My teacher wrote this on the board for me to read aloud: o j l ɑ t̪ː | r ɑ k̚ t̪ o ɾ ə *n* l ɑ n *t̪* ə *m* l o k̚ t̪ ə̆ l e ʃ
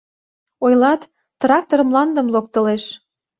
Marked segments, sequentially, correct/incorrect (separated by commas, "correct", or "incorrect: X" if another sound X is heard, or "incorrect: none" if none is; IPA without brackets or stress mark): incorrect: m, incorrect: d̪, correct